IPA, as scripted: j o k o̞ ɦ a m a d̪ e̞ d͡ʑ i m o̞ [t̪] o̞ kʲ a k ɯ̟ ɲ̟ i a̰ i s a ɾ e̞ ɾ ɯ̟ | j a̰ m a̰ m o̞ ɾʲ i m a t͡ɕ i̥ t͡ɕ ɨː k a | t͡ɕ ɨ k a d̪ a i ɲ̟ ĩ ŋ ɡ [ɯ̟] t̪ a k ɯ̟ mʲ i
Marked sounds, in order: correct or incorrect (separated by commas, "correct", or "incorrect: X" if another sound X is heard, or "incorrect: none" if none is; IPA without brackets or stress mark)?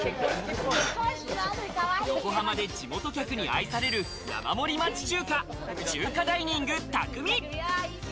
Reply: correct, correct